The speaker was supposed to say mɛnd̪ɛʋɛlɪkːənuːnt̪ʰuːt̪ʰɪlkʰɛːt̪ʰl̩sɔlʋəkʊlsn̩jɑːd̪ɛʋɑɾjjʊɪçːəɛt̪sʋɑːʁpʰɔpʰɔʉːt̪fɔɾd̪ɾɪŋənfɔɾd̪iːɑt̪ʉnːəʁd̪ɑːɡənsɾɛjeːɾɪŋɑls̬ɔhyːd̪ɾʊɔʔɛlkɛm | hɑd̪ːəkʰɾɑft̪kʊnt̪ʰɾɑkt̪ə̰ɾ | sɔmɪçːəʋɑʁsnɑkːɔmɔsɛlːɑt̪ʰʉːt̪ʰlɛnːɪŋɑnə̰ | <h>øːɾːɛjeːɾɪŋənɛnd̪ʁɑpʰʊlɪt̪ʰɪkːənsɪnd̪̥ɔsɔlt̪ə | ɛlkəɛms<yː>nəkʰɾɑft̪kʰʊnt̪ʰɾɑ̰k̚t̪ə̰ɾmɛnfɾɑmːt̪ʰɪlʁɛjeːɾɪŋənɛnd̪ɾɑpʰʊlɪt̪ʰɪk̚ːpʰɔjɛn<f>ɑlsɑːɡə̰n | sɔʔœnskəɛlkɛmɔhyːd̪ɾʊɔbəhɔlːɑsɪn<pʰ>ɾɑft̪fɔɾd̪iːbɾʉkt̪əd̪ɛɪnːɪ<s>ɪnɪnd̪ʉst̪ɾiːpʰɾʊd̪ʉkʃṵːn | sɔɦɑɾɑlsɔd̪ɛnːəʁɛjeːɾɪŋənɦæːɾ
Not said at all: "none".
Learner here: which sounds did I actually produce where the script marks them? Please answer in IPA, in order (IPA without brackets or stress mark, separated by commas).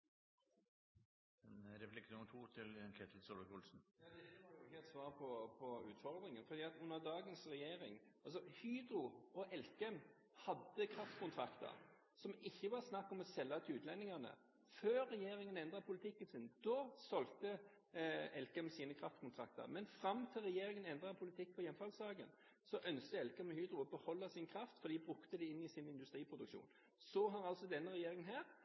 f, iː, f, kʰ, s